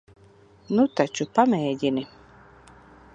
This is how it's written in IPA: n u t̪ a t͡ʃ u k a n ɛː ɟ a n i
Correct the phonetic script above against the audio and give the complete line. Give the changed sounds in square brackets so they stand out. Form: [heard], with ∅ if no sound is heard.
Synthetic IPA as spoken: n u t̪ a t͡ʃ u [p] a [m] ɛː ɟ [i] n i

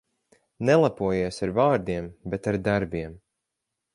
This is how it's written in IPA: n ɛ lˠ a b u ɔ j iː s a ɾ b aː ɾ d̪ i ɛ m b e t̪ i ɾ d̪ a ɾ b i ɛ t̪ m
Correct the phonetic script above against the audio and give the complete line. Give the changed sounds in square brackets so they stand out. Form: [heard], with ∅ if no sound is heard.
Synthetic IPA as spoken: n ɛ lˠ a [p] u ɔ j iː s a ɾ [v] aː ɾ d̪ i ɛ m b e t̪ [a] ɾ d̪ a ɾ b i ɛ [∅] m

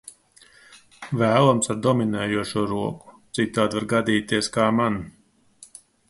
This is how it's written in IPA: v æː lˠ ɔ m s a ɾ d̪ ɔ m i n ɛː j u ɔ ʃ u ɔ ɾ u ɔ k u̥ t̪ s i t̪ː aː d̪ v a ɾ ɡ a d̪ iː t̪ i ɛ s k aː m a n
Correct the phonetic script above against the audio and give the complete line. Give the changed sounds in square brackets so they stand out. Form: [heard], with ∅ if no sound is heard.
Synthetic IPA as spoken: v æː lˠ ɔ m s a ɾ d̪ ɔ m i n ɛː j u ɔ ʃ u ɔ ɾ u ɔ k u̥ t̪ s i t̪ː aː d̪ v a ɾ ɡ a d̪ iː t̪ i ɛ s k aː m a n

